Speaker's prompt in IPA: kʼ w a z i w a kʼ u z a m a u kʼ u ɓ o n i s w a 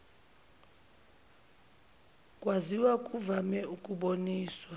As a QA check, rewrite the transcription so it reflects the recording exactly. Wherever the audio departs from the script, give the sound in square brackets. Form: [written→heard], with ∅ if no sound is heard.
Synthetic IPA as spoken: kʼ w a z i w a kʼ u [z→v] a m [a→ɛ] u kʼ u ɓ o n [i→iː] s w a